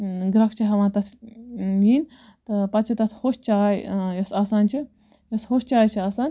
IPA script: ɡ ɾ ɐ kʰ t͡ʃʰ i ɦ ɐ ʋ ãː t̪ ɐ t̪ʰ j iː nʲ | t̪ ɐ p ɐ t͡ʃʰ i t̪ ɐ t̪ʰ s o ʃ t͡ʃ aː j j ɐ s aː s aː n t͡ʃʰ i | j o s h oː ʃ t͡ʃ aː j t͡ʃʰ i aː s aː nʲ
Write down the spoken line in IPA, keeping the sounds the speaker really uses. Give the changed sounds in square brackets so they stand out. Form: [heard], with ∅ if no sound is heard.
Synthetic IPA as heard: ɡ ɾ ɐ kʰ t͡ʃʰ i ɦ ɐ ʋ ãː t̪ ɐ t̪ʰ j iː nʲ | t̪ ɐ p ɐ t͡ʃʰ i t̪ ɐ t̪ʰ [h] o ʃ t͡ʃ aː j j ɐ s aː s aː n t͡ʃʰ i | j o s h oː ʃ t͡ʃ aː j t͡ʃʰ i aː s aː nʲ

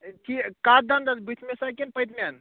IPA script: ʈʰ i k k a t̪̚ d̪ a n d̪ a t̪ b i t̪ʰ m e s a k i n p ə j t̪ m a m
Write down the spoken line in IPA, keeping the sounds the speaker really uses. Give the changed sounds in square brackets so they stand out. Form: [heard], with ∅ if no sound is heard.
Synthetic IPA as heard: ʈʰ i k k a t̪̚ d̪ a n d̪ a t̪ b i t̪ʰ m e s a k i n p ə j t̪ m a [n]

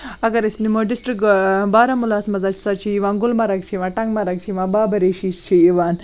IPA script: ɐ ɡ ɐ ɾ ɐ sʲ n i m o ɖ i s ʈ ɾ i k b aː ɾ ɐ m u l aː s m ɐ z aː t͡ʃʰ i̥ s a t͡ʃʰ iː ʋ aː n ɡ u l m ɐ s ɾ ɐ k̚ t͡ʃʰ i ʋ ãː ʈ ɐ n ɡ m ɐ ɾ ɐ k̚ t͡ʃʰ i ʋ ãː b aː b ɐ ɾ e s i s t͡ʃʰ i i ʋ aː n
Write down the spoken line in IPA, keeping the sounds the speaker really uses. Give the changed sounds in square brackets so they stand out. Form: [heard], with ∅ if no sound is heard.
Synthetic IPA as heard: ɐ ɡ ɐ ɾ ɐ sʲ n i m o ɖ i s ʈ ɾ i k b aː ɾ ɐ m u l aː s m ɐ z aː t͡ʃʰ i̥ s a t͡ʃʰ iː ʋ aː n ɡ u l m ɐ [∅] ɾ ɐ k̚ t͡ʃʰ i ʋ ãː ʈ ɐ [ŋ] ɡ m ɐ ɾ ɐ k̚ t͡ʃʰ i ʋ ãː b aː b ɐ ɾ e [ʃ] i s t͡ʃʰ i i ʋ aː n

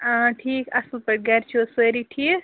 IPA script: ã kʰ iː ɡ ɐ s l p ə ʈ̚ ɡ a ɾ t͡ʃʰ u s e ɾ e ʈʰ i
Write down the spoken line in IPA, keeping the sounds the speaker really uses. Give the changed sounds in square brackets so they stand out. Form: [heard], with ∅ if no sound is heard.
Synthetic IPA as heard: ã [ʈʰ] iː [k] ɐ s l p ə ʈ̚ ɡ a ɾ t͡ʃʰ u s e ɾ [i] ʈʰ i

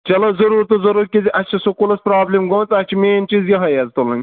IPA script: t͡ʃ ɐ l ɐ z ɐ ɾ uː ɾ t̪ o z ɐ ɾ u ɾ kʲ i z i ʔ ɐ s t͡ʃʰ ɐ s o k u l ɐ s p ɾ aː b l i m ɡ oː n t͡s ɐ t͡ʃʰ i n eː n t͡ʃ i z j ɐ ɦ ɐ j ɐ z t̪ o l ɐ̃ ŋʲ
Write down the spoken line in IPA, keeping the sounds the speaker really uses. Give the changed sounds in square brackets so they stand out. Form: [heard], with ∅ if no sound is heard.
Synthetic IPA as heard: t͡ʃ ɐ l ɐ z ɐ ɾ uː ɾ t̪ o z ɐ ɾ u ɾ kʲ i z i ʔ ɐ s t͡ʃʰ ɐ s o k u l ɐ s p ɾ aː b l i m ɡ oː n t͡s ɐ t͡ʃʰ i [m] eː n t͡ʃ i z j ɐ ɦ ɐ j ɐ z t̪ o l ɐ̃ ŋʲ

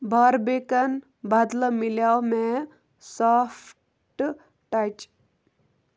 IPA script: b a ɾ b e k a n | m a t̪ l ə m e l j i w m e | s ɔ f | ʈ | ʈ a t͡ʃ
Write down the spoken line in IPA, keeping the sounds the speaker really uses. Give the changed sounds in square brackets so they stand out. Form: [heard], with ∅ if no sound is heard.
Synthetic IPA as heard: b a ɾ b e k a n | [b] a [d̪] l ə m [i] l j [a] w m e | s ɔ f | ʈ | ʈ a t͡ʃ

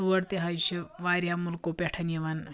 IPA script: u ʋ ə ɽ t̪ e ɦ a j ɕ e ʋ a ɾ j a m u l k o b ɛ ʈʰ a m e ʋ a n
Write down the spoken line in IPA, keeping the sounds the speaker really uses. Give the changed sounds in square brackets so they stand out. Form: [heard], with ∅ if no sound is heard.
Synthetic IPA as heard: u ʋ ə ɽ t̪ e ɦ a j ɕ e ʋ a ɾ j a m u l k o [p] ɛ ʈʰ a [n] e ʋ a n

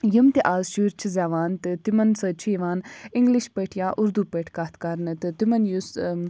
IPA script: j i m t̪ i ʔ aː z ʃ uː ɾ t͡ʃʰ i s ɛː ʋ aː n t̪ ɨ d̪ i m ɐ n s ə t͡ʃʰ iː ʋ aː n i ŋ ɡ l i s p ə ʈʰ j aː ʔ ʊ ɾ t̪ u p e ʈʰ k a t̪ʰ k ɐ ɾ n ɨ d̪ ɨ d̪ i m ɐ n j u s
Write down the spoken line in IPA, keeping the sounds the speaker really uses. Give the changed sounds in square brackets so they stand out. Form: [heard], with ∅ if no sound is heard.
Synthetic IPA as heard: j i m t̪ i ʔ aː z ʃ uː ɾ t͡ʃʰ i [z] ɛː ʋ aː n t̪ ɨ [t̪] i m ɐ n s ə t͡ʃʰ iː ʋ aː n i ŋ ɡ l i [ʃ] p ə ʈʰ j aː ʔ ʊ ɾ [d̪] u p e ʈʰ k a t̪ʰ k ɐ ɾ n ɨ [t̪] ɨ [t̪] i m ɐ n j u s

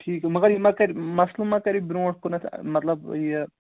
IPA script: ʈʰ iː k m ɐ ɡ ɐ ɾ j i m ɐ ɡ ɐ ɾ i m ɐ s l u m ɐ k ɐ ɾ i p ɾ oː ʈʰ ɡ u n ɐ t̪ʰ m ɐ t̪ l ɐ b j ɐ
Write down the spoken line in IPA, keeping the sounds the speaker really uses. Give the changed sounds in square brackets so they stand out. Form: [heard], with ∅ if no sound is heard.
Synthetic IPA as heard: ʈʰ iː k m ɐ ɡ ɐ ɾ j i m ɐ [k] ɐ ɾ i m ɐ s l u m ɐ k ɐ ɾ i [b] ɾ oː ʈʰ [k] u n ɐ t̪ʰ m ɐ t̪ l ɐ b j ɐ

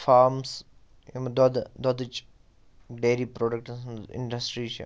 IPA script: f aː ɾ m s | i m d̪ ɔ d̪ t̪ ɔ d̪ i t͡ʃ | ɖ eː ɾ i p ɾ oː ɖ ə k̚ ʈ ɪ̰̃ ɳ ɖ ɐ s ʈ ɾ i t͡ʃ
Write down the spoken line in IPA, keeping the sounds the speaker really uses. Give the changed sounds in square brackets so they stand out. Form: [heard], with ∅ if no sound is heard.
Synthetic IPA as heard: f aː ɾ m s | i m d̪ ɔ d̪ [d̪] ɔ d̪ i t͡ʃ | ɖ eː ɾ i p ɾ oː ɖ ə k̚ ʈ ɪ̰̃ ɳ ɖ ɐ s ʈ ɾ i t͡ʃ

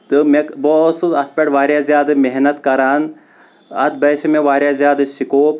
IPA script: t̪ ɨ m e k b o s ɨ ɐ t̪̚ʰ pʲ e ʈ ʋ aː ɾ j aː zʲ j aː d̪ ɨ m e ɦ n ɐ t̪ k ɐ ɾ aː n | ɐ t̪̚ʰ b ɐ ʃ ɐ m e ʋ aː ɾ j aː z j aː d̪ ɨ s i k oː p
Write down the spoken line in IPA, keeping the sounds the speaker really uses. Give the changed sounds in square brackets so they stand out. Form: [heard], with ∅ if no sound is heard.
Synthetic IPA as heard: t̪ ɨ m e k b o s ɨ ɐ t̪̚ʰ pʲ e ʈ ʋ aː ɾ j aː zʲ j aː d̪ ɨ m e ɦ n ɐ t̪ k ɐ ɾ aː n | ɐ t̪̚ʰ b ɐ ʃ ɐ m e ʋ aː ɾ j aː z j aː d̪ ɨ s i k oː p

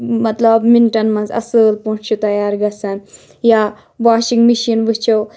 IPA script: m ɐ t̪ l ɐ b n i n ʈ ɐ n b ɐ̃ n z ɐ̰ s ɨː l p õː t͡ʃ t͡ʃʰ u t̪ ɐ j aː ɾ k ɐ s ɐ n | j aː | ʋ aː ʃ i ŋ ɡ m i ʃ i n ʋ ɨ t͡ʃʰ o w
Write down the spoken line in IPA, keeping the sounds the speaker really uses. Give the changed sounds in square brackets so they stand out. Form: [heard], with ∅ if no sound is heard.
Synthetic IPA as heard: m ɐ t̪ l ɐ b [m] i n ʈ ɐ n [m] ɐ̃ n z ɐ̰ s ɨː l p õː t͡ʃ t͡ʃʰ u t̪ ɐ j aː ɾ [ɡ] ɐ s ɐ n | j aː | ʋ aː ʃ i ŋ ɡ m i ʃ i n ʋ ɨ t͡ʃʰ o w

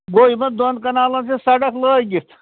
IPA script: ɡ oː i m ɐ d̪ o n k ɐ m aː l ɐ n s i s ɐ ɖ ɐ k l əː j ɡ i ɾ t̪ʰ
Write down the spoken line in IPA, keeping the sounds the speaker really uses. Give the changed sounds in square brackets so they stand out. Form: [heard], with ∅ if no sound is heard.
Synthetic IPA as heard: ɡ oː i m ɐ d̪ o n k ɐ [n] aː l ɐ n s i s ɐ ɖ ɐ k l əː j ɡ i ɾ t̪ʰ

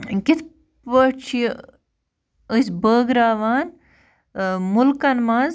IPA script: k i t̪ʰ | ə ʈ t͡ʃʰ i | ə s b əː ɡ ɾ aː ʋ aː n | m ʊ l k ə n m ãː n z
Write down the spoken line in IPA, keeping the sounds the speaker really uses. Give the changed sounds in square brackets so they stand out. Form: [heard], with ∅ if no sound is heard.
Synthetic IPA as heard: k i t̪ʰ | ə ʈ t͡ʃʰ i | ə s b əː ɡ ɾ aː ʋ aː n | m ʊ l k [ɐ] n m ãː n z

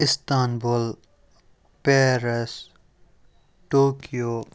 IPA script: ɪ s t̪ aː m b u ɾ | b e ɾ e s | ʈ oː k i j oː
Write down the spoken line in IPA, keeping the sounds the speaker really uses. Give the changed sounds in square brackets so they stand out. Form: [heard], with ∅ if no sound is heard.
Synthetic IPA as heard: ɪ s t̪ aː [n] b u [l] | [p] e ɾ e s | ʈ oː k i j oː

